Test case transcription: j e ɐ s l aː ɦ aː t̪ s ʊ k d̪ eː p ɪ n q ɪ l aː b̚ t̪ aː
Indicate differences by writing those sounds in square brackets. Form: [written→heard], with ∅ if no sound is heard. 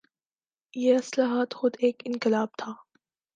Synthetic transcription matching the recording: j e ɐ s l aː ɦ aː t̪ [s→x] ʊ [k→∅] d̪ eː [p→k] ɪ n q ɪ l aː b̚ [t̪→t̪ʰ] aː